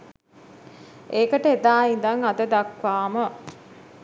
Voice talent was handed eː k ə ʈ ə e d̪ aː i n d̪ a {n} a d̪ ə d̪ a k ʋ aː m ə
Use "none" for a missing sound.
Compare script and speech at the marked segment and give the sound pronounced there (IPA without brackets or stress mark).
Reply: ŋ